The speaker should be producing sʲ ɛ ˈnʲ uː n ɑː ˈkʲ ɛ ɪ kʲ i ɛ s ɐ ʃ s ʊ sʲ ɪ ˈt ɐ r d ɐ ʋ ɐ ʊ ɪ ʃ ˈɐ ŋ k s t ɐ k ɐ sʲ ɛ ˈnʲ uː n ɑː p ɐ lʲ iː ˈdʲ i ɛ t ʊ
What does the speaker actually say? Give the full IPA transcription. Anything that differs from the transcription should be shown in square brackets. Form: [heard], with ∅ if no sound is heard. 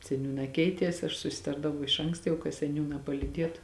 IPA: sʲ ɛ ˈnʲ uː n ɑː ˈkʲ ɛ ɪ [tʲ] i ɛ s ɐ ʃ s ʊ sʲ ɪ ˈt ɐ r d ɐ ʋ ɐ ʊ ɪ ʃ ˈɐ ŋ k s t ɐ k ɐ sʲ ɛ ˈnʲ uː n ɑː p ɐ lʲ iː ˈdʲ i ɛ t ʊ